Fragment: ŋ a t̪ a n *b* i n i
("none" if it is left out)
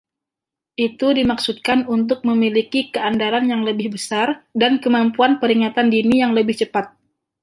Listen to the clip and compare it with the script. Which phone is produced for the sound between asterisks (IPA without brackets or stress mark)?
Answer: d